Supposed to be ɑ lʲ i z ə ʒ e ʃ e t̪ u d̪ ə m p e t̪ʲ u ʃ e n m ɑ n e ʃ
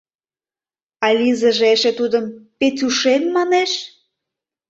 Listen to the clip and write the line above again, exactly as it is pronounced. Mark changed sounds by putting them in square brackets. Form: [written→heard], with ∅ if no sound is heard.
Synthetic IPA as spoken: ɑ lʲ i z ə ʒ e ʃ e t̪ u d̪ ə m p e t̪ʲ u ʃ e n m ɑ n e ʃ